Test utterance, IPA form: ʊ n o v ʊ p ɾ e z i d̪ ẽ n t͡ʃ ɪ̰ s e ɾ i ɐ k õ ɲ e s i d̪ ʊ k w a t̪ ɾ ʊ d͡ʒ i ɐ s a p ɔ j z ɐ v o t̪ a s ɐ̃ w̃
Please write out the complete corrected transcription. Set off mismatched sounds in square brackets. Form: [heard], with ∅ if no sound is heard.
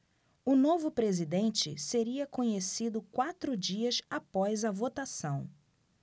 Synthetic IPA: ʊ n o v ʊ p ɾ e z i d̪ ẽ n t͡ʃ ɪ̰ s e ɾ i ɐ k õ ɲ e s i d̪ ʊ k w a t̪ ɾ ʊ d͡ʒ i ɐ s a p ɔ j z ɐ v o t̪ a s ɐ̃ w̃